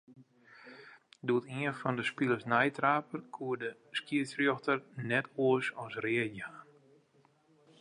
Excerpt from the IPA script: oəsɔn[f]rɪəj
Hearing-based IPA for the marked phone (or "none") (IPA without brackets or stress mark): s